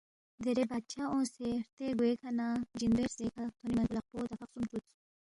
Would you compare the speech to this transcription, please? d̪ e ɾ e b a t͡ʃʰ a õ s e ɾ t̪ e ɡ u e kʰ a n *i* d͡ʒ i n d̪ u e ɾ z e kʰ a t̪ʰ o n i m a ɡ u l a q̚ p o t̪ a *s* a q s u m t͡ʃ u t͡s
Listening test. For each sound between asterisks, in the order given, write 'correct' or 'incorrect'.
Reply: incorrect: a, incorrect: f

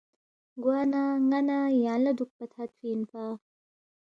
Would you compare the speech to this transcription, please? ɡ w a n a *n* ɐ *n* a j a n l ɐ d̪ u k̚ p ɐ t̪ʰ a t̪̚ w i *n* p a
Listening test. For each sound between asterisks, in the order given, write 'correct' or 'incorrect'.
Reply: incorrect: ŋ, correct, correct

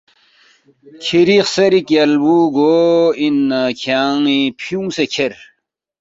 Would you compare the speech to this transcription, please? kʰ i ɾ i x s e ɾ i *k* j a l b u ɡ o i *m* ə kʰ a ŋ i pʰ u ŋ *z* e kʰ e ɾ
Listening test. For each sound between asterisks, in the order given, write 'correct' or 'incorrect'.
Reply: correct, incorrect: n, incorrect: s

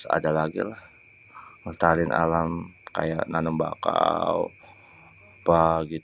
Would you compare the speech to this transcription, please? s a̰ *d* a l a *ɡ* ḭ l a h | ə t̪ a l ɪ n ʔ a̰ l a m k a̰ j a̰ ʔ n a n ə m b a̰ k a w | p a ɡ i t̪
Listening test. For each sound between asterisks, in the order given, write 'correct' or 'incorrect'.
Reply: correct, correct

